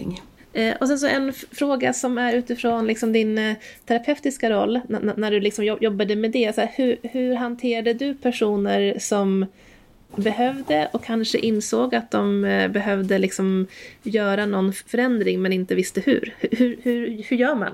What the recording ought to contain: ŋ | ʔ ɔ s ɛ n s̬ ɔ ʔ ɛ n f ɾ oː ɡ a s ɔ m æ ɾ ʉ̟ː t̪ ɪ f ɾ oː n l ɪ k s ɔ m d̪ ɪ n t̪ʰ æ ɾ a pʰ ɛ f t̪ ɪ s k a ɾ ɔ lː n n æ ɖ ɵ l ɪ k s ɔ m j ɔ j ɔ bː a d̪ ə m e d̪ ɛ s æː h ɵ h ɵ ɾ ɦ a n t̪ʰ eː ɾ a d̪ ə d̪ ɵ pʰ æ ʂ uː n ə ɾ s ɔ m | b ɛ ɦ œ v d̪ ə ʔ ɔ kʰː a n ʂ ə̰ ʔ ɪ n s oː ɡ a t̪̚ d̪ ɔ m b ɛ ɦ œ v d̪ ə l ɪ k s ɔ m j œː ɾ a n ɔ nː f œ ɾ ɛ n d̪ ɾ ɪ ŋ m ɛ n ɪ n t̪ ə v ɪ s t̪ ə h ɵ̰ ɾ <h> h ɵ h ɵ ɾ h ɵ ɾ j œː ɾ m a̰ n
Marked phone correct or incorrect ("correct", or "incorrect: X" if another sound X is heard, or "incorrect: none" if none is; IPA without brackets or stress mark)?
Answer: correct